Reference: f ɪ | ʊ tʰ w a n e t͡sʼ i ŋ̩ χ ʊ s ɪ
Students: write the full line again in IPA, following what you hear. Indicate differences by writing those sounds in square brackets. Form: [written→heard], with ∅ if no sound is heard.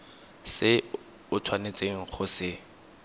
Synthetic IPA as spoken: [f→s] ɪ | ʊ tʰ w a n e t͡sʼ [i→e] ŋ̩ χ ʊ s ɪ